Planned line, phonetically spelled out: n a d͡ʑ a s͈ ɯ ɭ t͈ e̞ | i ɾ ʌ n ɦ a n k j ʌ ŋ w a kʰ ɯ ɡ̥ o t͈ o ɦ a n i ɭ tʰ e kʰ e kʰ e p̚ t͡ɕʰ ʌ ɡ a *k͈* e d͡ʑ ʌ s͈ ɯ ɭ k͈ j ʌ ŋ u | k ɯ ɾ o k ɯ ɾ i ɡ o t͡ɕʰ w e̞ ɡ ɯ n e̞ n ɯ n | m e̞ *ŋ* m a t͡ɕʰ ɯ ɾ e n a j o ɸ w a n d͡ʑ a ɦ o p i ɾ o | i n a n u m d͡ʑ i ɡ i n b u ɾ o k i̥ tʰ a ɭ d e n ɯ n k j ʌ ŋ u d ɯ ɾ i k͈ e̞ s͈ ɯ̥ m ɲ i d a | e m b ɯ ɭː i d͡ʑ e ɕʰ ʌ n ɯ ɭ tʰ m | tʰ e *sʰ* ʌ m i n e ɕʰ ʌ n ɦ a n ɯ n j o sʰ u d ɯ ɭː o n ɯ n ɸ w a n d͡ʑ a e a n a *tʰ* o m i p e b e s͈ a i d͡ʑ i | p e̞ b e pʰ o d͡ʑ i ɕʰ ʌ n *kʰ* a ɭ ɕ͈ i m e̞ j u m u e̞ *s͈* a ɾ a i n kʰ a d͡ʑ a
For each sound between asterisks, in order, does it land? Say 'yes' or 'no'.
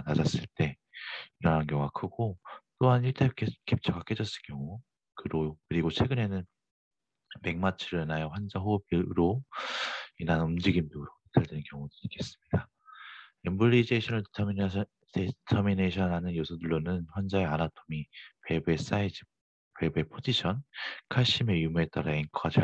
yes, yes, no, yes, yes, no

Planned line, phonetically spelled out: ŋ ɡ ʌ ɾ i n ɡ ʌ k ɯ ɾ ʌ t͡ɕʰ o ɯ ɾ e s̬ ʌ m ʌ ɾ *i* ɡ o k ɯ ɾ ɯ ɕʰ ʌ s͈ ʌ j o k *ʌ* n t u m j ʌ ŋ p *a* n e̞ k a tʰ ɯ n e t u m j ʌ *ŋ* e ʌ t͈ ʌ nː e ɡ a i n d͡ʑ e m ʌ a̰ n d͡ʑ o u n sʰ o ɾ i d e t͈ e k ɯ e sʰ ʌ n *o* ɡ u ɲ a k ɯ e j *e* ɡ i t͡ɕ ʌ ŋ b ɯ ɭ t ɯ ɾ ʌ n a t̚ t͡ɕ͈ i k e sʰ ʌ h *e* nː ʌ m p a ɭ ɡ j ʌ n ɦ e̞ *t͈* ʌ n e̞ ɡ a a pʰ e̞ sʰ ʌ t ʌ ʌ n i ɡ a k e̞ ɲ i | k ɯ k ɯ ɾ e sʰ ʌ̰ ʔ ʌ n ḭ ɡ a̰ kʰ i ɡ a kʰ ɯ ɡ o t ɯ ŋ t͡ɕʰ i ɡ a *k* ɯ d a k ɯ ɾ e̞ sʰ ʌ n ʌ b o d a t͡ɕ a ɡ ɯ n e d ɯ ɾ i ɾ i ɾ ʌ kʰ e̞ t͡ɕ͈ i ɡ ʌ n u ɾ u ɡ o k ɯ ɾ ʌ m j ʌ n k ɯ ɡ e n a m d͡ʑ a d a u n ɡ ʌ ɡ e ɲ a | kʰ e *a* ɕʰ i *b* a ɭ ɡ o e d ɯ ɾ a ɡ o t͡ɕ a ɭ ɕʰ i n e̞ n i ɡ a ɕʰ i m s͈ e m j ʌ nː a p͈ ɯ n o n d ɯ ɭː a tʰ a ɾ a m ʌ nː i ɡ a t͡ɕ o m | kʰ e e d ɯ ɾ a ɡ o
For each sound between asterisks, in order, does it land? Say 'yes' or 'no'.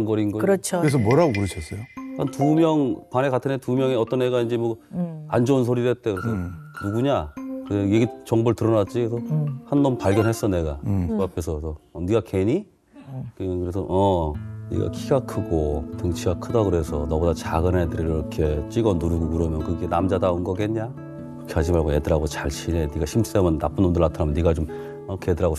no, no, yes, yes, no, yes, no, no, no, yes, no

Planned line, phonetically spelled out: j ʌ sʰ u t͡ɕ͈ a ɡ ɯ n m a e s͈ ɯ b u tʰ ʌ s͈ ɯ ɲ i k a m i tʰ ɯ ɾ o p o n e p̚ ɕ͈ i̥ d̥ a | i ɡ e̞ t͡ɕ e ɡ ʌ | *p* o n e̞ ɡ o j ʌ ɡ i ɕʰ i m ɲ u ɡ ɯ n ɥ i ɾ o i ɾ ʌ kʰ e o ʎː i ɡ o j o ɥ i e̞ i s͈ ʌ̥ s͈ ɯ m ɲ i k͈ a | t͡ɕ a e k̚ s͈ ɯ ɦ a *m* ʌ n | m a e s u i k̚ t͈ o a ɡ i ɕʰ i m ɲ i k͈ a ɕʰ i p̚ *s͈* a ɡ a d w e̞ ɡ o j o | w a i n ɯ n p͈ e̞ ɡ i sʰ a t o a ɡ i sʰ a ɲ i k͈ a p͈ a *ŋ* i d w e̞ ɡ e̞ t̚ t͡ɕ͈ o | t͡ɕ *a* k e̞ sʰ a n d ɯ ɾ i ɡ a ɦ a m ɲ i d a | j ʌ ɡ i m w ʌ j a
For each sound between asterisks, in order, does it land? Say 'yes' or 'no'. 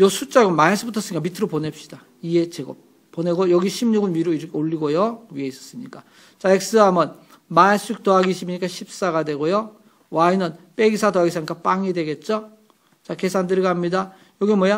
yes, yes, yes, yes, yes

